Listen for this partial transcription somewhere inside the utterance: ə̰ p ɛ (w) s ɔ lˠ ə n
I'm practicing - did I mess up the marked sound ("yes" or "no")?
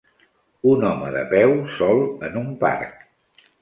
no